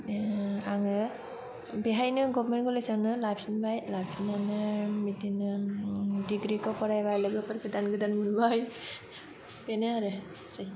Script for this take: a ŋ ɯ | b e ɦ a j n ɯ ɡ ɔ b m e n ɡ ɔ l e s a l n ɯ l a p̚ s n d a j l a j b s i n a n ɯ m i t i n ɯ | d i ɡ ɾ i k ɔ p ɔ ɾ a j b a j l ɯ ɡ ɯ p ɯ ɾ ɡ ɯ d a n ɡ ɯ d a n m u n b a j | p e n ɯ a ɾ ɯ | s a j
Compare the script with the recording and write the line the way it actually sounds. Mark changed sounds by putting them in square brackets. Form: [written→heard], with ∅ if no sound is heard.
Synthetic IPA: a ŋ ɯ | b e ɦ a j n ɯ ɡ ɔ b m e n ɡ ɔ l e s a [l→∅] n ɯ l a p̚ s n [d→b] a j l a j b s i n a n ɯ m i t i n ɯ | d i ɡ ɾ i k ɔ p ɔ ɾ a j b a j l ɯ ɡ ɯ p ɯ ɾ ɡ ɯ d a n ɡ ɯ d a n m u n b a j | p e n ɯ a ɾ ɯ | s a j